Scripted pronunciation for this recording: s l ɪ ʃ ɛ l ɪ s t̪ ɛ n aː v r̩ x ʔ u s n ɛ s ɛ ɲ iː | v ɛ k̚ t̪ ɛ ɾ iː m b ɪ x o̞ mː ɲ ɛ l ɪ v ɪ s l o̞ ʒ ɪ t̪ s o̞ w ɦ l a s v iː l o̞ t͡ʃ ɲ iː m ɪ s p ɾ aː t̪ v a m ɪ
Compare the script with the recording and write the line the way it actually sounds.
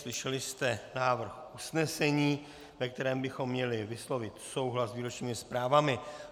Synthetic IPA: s l ɪ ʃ ɛ l ɪ s t̪ ɛ n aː v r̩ x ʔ u s n ɛ s ɛ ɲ iː | v ɛ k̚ t̪ ɛ ɾ ɛː m b ɪ x o̞ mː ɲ ɛ l ɪ v ɪ s l o̞ v ɪ t̪ s o̞ w ɦ l a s v iː ɾ o̞ t͡ʃ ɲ iː m ɪ s p ɾ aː v a m ɪ